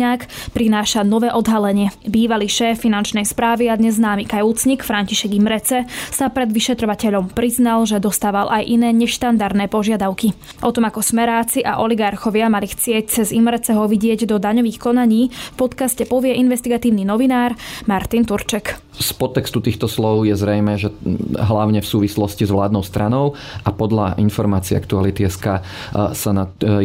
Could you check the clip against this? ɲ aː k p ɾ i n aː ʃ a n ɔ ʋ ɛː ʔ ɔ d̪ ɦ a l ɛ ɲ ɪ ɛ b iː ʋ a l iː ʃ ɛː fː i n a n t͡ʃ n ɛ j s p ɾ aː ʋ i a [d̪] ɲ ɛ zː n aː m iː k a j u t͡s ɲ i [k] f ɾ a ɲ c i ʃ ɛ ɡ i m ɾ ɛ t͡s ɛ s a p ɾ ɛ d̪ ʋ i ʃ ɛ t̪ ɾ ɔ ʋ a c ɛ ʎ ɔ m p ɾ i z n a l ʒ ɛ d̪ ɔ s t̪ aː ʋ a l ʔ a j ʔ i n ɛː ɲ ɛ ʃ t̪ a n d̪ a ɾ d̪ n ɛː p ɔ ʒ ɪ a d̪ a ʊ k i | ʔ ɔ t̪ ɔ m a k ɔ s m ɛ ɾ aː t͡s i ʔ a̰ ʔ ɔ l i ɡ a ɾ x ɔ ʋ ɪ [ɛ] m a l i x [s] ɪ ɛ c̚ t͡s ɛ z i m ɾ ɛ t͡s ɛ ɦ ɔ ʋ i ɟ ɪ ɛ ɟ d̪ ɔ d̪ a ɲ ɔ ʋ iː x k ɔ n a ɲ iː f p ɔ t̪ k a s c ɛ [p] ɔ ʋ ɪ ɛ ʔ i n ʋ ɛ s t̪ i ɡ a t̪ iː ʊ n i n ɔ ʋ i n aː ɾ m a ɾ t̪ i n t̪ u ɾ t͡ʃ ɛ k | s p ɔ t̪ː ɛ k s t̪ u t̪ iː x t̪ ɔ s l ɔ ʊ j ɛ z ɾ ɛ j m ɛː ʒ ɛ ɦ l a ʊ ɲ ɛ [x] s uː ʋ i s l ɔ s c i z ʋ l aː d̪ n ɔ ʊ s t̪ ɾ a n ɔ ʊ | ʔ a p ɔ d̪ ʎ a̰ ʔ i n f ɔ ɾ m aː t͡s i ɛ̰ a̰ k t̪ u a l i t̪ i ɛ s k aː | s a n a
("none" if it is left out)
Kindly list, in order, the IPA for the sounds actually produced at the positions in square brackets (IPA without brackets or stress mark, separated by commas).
d̪, k, a, t͡s, p, f